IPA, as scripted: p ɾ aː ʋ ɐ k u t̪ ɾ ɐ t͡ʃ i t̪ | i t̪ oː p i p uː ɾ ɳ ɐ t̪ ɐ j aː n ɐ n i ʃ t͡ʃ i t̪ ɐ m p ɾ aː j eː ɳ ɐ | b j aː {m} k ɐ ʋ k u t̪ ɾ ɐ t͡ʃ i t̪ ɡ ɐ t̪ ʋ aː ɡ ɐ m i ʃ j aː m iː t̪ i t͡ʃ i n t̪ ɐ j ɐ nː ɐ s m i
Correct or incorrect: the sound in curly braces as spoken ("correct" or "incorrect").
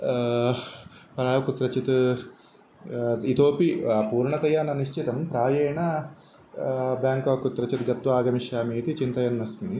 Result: incorrect